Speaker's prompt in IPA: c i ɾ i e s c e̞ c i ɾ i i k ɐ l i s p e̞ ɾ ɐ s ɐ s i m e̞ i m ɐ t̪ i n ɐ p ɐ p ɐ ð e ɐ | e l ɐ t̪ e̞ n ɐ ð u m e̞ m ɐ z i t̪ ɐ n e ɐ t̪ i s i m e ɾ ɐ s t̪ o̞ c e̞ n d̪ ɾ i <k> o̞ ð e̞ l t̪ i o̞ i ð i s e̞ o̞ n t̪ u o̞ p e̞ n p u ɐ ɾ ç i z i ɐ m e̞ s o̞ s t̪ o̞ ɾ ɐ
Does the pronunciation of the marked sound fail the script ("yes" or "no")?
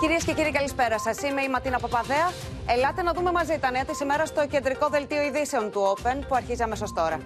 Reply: no